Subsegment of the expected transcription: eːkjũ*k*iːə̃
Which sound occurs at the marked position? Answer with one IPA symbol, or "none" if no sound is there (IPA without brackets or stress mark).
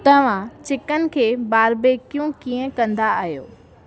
k